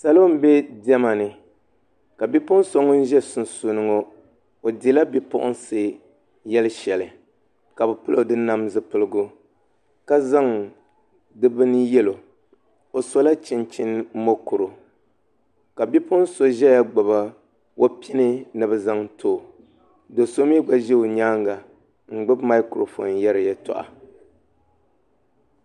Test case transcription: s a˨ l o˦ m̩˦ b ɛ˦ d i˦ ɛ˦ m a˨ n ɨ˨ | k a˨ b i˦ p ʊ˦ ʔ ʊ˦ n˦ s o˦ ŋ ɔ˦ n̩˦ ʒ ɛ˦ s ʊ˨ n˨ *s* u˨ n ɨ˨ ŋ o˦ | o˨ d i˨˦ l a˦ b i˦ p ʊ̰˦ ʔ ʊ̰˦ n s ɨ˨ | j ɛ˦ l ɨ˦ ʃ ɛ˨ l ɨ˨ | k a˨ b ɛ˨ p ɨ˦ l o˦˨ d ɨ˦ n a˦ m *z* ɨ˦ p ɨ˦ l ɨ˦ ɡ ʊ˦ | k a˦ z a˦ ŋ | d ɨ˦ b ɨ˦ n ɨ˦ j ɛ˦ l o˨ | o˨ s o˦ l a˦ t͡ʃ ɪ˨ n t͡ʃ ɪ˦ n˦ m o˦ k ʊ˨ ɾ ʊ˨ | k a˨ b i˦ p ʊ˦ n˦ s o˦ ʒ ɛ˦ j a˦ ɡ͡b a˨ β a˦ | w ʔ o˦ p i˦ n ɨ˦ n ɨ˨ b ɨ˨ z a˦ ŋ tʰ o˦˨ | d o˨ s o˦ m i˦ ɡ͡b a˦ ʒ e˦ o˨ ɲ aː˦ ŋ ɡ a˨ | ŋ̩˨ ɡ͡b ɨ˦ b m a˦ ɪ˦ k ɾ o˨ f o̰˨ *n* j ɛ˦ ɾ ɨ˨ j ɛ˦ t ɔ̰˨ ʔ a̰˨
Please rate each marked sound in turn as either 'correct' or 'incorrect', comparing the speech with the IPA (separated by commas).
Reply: correct, correct, correct